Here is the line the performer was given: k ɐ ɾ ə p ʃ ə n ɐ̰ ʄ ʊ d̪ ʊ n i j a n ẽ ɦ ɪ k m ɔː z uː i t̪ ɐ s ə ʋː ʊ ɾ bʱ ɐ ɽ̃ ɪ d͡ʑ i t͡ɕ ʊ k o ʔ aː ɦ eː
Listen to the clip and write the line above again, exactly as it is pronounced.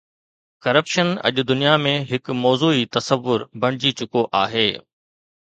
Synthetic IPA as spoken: k ɐ ɾ ə p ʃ ə n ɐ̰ ʄ ʊ d̪ ʊ n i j a m ẽ ɦ ɪ k m ɔː z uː i t̪ ɐ s ə ʋː ʊ ɾ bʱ ɐ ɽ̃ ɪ d͡ʑ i t͡ɕ ʊ k o ʔ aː ɦ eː